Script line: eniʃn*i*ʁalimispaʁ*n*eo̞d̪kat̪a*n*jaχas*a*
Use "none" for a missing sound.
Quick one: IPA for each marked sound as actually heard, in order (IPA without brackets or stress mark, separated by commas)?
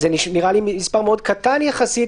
i, m, n, i